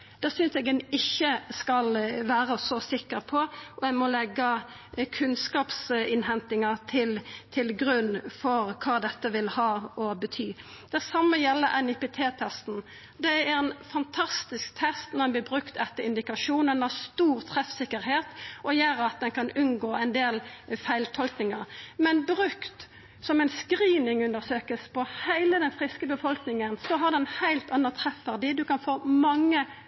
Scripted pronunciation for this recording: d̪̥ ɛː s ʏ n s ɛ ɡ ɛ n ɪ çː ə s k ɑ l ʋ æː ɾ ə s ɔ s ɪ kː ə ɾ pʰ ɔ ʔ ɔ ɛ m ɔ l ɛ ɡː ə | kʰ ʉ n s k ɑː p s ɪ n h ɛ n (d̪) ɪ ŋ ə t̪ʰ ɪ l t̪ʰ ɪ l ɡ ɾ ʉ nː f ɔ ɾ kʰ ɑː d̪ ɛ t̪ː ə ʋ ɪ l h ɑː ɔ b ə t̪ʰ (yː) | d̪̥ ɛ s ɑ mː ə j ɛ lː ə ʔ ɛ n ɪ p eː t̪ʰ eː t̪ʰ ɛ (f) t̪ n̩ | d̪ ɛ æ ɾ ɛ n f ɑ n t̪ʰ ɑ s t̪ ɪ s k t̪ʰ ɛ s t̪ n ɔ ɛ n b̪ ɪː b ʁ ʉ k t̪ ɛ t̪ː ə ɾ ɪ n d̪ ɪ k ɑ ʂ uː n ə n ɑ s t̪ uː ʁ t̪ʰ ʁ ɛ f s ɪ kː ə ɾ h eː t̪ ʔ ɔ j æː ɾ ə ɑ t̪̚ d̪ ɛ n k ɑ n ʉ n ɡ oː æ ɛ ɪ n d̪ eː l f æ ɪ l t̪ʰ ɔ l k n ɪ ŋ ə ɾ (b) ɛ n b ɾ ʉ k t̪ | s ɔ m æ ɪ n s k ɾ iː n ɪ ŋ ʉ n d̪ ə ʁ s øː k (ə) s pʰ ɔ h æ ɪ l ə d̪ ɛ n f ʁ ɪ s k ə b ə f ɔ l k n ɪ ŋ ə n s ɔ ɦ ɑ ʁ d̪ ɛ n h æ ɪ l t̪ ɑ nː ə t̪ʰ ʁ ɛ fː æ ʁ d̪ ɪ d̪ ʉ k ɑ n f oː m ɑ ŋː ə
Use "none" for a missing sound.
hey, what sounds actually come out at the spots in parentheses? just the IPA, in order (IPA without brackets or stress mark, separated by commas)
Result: t̪, yː, s, m, ə